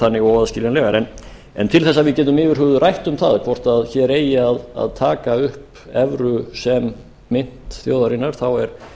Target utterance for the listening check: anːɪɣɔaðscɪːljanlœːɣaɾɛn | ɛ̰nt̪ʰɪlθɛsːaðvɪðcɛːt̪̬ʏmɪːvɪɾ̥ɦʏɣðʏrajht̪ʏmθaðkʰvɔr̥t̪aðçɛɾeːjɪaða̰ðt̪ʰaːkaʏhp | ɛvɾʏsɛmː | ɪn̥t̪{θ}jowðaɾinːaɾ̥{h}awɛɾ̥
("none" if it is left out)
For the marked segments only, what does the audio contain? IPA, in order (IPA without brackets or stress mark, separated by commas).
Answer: θ, θ